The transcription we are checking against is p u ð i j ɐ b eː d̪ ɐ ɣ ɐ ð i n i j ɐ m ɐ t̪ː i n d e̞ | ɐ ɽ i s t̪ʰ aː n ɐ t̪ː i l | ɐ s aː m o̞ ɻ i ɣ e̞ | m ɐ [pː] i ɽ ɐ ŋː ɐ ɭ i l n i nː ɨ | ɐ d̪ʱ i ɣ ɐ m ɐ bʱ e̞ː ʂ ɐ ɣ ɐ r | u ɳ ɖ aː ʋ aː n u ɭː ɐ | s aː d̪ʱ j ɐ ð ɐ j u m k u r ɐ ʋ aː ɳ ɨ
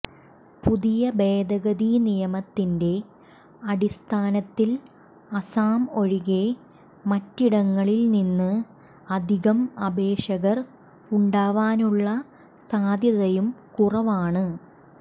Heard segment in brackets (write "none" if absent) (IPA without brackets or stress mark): tː